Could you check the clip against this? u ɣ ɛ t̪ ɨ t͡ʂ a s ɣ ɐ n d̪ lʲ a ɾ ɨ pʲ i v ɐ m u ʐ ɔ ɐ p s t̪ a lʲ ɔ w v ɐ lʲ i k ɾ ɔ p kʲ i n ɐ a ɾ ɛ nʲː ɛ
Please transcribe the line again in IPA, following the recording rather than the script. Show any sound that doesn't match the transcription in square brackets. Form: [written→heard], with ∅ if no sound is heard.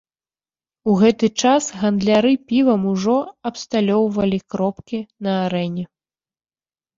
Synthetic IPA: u ɣ ɛ t̪ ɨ t͡ʂ a s ɣ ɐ n d̪ lʲ a ɾ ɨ pʲ i v ɐ m u ʐ ɔ ɐ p s t̪ a lʲ ɔ w v ɐ lʲ i k ɾ ɔ p kʲ i n ɐ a ɾ ɛ [nʲː→nʲ] ɛ

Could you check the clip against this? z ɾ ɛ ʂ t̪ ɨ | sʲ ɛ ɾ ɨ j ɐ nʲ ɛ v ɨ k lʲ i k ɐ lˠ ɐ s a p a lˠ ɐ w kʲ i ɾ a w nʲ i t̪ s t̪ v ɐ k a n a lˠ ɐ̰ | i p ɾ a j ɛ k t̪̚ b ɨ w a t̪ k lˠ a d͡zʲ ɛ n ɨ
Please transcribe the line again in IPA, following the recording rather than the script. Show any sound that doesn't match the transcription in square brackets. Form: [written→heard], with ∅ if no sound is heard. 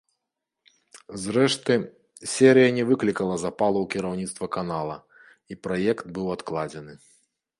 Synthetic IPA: z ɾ ɛ ʂ t̪ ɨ | sʲ ɛ ɾ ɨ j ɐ nʲ ɛ v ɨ k lʲ i k ɐ lˠ ɐ [s→z] a p a lˠ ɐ w kʲ i ɾ a w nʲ i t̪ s t̪ v ɐ k a n a lˠ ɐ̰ | i p ɾ a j ɛ k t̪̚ b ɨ w a t̪ k lˠ a d͡zʲ ɛ n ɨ

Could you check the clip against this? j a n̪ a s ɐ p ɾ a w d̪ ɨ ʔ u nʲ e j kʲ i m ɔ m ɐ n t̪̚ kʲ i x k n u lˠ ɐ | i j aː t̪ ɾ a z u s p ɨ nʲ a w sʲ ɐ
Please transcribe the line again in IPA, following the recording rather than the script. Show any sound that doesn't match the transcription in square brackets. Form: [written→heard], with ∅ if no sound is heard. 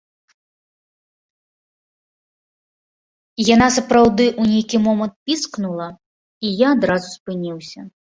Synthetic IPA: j a n̪ a s ɐ p ɾ a w d̪ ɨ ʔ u nʲ e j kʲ i m ɔ m ɐ n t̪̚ [kʲ→pʲ] i [x→s] k n u lˠ ɐ | i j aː [t̪→d̪] ɾ a z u s p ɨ nʲ [a→i] w sʲ ɐ

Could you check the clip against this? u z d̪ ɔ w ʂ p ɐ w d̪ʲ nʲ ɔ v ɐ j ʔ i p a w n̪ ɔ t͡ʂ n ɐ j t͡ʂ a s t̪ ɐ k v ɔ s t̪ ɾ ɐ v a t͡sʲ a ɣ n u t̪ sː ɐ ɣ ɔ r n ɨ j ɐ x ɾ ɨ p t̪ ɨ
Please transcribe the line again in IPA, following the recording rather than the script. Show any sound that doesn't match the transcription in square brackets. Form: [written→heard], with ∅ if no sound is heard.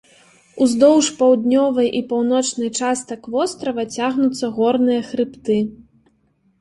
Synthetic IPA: u z d̪ ɔ w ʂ p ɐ w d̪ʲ nʲ ɔ v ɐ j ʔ i p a w n̪ ɔ t͡ʂ n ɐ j t͡ʂ a s t̪ ɐ k v ɔ s t̪ ɾ ɐ v [a→ɐ] t͡sʲ a ɣ n u t̪ sː ɐ ɣ ɔ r n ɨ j ɐ x ɾ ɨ p t̪ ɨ

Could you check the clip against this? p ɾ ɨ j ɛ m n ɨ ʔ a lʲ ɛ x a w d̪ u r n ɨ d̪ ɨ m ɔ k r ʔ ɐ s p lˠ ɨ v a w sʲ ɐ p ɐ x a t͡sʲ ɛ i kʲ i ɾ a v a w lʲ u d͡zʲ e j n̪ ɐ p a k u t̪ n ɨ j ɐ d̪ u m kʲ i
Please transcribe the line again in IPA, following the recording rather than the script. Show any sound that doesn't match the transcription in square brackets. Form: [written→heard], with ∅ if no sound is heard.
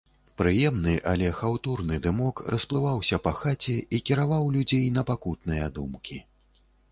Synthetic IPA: p ɾ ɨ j ɛ m n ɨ ʔ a lʲ ɛ x a w [d̪→t̪] u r n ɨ d̪ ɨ m ɔ k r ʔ ɐ s p lˠ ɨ v a w sʲ ɐ p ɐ x a t͡sʲ ɛ i kʲ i ɾ a v a w lʲ u d͡zʲ e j n̪ ɐ p a k u t̪ n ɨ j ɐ d̪ u m kʲ i

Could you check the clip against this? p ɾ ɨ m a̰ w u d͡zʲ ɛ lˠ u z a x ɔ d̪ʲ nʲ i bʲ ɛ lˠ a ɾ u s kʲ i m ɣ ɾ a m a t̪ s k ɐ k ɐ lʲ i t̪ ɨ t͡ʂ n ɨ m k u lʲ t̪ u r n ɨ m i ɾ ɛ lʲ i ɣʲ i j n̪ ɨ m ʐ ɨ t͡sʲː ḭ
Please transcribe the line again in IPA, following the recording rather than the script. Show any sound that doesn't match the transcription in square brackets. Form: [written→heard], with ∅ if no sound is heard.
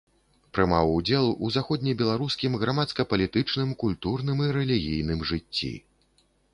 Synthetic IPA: p ɾ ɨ m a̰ w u d͡zʲ ɛ lˠ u z a x ɔ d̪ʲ nʲ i bʲ ɛ lˠ a ɾ u s kʲ i m ɣ ɾ a m a t̪ s k ɐ [k→p] ɐ lʲ i t̪ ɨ t͡ʂ n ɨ m k u lʲ t̪ u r n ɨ m i ɾ ɛ lʲ i ɣʲ i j n̪ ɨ m ʐ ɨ t͡sʲː ḭ

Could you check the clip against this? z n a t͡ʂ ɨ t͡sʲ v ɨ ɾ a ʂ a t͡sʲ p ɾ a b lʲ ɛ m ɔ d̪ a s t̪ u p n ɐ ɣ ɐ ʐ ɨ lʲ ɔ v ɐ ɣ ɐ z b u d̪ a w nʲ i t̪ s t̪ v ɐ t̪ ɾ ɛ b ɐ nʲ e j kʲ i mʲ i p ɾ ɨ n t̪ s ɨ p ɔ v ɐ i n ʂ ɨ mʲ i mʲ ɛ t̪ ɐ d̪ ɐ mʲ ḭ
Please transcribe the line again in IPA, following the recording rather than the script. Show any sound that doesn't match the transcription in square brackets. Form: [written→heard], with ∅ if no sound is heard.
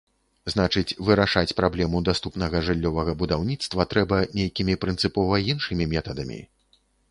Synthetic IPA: z n a t͡ʂ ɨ t͡sʲ v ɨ ɾ a ʂ a t͡sʲ p ɾ a b lʲ ɛ m [ɔ→u] d̪ a s t̪ u p n ɐ ɣ ɐ ʐ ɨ [lʲ→lʲː] ɔ v ɐ ɣ ɐ [z→∅] b u d̪ a w nʲ i t̪ s t̪ v ɐ t̪ ɾ ɛ b ɐ nʲ e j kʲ i mʲ i p ɾ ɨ n t̪ s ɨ p ɔ v ɐ i n ʂ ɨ mʲ i mʲ ɛ t̪ ɐ d̪ ɐ mʲ ḭ

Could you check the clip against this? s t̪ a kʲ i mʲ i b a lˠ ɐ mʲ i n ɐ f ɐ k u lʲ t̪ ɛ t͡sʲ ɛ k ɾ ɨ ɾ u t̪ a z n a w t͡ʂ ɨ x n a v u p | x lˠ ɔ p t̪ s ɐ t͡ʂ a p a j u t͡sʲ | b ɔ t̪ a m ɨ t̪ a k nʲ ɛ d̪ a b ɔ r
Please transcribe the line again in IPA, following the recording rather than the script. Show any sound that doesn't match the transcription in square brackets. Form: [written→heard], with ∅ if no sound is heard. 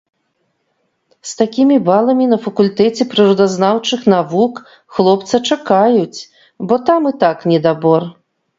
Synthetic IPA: s t̪ a kʲ i mʲ i b a lˠ ɐ mʲ i n ɐ f ɐ k u lʲ t̪ ɛ t͡sʲ ɛ [k→p] ɾ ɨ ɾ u [t̪→d̪] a z n a w t͡ʂ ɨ x n a v u [p→k] | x lˠ ɔ p t̪ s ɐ t͡ʂ a [p→k] a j u t͡sʲ | b ɔ t̪ a m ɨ t̪ a k nʲ ɛ d̪ a b ɔ r

